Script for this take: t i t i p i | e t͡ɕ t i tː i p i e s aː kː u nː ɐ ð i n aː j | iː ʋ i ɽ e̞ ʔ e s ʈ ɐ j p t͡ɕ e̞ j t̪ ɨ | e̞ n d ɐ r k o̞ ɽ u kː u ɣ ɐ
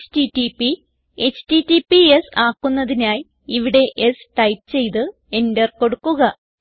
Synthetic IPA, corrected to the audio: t i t i p i | e t͡ɕ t i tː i p i e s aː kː u nː ɐ ð i n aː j | i ʋ i ɽ e̞ ʔ e s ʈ ɐ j p t͡ɕ e̞ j t̪ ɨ | e̞ n d ɐ r k o̞ ɽ u kː u ɣ ɐ